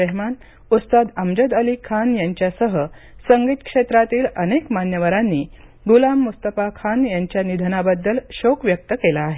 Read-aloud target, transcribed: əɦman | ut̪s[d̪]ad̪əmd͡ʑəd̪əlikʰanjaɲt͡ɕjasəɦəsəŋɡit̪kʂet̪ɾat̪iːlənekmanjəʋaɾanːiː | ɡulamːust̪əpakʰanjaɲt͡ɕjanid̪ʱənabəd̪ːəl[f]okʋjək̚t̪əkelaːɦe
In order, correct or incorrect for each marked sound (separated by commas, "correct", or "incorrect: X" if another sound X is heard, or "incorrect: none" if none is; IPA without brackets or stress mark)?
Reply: incorrect: t̪, incorrect: ɕ